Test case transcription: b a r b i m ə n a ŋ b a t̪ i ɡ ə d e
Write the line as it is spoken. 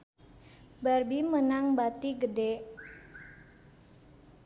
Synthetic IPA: b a r b i m ə n a ŋ b a t̪ i ɡ ə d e

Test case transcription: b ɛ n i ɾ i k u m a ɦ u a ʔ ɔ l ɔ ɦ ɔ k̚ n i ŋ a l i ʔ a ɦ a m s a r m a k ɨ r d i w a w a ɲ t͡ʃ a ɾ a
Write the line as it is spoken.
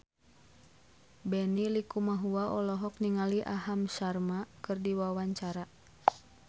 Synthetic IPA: b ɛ n i l i k u m a ɦ u a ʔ ɔ l ɔ ɦ ɔ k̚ n i ŋ a l i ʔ a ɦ a m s a r m a k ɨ r d i w a w a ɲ t͡ʃ a ɾ a

